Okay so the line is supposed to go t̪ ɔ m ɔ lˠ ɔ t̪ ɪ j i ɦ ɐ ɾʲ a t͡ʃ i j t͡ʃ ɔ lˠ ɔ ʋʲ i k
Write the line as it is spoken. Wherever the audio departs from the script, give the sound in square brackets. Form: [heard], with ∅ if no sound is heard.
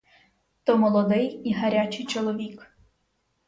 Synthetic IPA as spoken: t̪ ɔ m ɔ lˠ ɔ [d̪] ɪ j i ɦ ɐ ɾʲ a t͡ʃ [ɪ] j t͡ʃ ɔ lˠ ɔ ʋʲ i k